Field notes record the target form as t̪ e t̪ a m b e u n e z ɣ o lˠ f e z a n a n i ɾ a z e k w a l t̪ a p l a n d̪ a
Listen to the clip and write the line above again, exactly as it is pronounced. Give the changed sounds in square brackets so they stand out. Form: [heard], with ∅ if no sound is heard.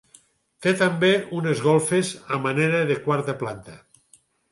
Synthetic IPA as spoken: t̪ e t̪ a m b e u n e z ɣ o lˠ f e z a [m] a n [e] ɾ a [ð] e k w a [ɾ] t̪ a p l a n [t̪] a